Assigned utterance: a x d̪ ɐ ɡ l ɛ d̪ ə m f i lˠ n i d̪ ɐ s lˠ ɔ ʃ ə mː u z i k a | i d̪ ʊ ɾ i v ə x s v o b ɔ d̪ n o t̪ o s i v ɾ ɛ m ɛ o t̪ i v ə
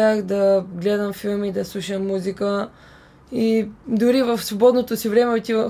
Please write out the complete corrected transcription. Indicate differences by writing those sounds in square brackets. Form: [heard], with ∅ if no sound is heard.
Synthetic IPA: a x d̪ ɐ ɡ l ɛ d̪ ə m f i lˠ [m] i d̪ ɐ s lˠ [u] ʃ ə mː u z i k [ə] | i d̪ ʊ ɾ i v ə [f] s v o b ɔ d̪ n o t̪ o s i v ɾ ɛ m ɛ o t̪ i v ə